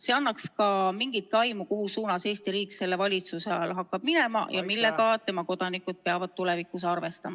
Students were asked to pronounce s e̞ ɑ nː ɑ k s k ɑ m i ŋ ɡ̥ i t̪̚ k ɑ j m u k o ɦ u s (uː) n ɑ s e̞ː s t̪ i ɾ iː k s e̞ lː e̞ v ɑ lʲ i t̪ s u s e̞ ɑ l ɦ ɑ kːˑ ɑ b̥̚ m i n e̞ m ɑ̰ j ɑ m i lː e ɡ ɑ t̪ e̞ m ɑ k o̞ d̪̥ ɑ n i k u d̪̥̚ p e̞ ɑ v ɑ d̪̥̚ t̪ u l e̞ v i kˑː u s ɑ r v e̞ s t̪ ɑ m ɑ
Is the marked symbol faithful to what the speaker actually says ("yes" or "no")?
yes